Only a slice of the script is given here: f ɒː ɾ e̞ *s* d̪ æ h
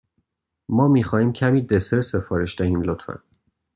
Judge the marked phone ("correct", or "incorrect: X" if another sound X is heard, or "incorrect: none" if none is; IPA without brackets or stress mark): incorrect: ʃ